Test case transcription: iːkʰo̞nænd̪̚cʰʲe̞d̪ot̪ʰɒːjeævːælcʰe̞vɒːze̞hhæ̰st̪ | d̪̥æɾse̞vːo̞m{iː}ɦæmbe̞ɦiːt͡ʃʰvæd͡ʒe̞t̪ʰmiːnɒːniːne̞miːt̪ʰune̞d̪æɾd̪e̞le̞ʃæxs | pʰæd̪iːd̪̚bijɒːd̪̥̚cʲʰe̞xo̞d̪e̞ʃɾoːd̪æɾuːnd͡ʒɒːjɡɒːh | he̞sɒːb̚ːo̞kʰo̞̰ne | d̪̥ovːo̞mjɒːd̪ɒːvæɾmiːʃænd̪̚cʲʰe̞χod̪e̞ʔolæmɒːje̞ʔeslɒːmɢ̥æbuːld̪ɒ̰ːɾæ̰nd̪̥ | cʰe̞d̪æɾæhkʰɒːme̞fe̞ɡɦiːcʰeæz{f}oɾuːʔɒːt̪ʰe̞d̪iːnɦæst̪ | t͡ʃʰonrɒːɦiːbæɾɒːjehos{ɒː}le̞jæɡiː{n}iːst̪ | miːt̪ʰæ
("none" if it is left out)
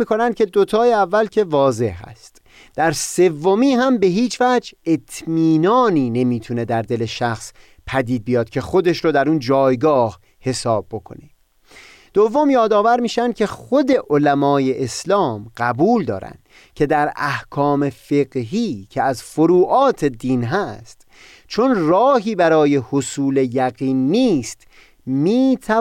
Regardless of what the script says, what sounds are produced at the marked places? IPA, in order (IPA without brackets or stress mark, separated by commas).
iː, f, uː, nː